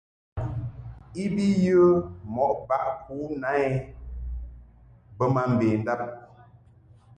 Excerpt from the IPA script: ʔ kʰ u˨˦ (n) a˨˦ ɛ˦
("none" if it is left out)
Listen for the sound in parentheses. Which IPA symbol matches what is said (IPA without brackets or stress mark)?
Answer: n